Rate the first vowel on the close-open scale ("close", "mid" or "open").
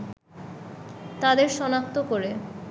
open